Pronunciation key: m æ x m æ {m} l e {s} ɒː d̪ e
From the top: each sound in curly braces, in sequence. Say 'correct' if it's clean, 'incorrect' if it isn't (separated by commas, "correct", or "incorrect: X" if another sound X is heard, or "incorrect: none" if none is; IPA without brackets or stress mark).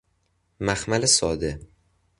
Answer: incorrect: none, correct